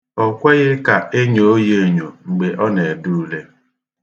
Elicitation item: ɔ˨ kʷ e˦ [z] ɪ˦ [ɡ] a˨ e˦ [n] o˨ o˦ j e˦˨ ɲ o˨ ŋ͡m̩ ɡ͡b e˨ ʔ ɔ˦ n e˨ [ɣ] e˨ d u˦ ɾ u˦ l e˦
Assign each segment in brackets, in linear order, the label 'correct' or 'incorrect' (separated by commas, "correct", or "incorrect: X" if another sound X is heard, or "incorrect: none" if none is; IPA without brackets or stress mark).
incorrect: ɣ, incorrect: k, incorrect: ɲ, incorrect: none